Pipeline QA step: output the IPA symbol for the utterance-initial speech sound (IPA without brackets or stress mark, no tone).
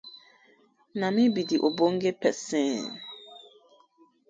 n